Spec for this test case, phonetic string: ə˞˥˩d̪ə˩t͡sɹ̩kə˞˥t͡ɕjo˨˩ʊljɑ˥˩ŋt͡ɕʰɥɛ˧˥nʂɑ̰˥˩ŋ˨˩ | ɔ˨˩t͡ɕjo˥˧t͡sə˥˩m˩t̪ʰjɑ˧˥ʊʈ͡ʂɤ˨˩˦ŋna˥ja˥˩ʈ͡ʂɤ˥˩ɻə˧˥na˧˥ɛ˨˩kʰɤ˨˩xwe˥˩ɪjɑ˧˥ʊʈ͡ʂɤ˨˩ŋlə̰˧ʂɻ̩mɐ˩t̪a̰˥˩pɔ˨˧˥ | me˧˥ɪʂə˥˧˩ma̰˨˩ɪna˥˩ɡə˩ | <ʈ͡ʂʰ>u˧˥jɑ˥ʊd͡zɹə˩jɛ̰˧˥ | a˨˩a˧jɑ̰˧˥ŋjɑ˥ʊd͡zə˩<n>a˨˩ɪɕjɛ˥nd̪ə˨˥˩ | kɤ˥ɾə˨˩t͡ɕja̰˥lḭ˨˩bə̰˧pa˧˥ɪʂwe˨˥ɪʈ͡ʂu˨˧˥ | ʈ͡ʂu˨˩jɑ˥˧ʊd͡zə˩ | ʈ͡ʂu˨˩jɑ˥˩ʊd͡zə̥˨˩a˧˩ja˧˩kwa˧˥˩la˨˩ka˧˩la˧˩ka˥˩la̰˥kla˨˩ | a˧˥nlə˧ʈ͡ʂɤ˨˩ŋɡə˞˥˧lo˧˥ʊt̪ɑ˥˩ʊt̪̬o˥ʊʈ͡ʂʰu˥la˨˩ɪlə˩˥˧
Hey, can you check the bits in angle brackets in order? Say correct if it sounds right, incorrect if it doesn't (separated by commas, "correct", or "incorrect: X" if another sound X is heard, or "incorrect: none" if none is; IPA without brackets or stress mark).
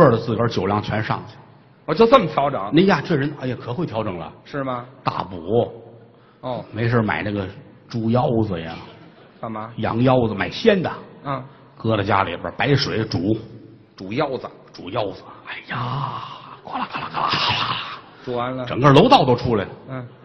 incorrect: ʈ͡ʂ, incorrect: m